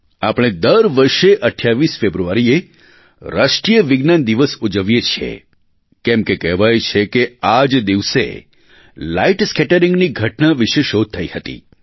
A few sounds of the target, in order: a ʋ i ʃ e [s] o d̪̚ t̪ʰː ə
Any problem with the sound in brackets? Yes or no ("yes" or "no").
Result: yes